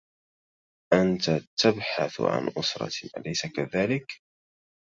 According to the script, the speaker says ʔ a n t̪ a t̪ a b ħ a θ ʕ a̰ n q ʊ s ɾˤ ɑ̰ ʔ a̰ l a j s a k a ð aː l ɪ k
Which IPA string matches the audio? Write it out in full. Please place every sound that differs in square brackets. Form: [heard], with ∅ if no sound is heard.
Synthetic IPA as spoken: ʔ a n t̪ a t̪ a b ħ a θ ʕ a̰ n [ʔ] ʊ s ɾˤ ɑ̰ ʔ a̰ l a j s a k a ð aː l ɪ k